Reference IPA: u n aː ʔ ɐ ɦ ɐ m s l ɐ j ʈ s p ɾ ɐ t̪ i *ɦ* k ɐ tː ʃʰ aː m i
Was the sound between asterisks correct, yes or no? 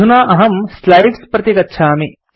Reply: no